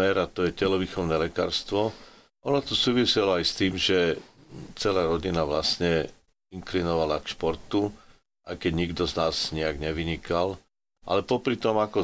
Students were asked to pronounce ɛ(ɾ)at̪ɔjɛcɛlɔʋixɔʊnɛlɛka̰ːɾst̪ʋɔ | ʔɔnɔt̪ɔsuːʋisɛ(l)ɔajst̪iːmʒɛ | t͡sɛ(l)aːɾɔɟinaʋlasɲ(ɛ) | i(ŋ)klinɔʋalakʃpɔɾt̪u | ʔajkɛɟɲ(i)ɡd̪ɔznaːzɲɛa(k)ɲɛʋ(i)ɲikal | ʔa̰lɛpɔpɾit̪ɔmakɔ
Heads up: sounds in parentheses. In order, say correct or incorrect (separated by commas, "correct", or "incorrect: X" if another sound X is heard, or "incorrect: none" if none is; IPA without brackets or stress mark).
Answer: correct, correct, correct, correct, correct, correct, incorrect: ɡ, correct